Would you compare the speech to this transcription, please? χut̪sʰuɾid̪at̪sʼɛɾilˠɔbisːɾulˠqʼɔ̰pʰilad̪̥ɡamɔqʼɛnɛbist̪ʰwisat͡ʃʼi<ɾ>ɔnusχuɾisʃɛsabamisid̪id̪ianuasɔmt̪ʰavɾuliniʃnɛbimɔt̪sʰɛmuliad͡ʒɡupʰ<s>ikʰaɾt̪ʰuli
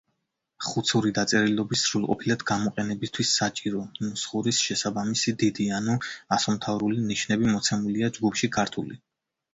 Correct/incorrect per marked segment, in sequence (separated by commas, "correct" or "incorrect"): correct, incorrect